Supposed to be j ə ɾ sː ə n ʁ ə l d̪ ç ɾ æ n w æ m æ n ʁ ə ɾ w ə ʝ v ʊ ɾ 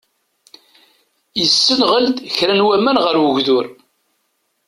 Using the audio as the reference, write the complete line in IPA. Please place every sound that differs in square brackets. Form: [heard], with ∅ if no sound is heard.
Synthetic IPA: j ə [∅] sː ə n ʁ ə l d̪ ç ɾ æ n w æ m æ n ʁ ə ɾ w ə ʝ [ð] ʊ ɾ

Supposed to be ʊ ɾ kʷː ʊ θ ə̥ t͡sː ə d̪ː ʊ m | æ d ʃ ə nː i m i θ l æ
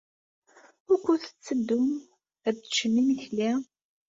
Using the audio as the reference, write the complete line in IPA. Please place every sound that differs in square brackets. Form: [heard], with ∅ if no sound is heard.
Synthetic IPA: ʊ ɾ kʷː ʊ θ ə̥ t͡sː ə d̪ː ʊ m | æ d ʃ ə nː i m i θ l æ

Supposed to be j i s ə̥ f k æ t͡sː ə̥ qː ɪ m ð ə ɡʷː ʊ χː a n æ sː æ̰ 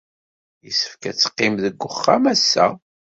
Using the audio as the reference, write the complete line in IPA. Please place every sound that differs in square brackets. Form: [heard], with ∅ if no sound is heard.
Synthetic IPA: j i s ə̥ f k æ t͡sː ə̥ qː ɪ m ð ə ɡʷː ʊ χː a [m] æ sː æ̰

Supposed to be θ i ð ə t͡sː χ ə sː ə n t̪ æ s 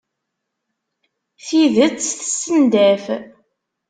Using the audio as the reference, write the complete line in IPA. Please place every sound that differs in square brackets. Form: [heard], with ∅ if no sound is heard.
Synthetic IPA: θ i ð ə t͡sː [θ] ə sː ə n [d̪] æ [f]

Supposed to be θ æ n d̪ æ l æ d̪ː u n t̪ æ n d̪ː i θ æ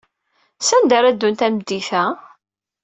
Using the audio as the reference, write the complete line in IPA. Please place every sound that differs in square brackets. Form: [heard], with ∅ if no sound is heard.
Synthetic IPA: [s] æ n d̪ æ [ɾ] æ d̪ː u n t̪ æ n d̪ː i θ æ

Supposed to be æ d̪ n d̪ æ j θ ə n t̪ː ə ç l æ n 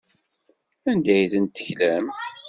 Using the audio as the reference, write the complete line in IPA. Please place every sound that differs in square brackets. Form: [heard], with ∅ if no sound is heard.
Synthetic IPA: æ [∅] n d̪ æ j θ ə n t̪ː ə ç l æ [m]

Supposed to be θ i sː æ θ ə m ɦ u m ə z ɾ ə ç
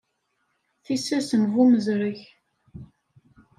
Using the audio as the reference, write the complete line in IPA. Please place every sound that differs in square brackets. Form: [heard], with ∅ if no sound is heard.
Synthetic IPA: θ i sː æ [s] ə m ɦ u m ə z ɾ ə ç

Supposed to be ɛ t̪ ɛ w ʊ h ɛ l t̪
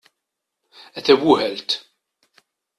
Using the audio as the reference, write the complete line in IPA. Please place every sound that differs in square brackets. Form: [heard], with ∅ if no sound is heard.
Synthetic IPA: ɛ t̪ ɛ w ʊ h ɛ l t̪

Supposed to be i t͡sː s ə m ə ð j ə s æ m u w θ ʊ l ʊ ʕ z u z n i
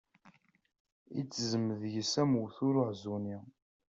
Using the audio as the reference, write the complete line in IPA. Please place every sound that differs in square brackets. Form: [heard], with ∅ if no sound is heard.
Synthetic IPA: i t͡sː [z] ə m ə ð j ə s æ m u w θ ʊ [ɾ] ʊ ʕ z u [∅] n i

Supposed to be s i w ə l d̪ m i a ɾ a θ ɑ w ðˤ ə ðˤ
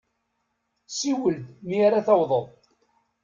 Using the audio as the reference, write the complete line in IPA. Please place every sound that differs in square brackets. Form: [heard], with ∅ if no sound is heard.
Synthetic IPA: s i w ə l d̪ m i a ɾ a θ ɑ w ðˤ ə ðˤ

